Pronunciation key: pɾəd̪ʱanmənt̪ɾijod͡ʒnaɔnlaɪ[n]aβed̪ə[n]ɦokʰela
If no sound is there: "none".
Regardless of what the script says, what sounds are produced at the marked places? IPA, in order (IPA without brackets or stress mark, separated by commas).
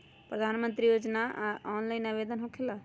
n, n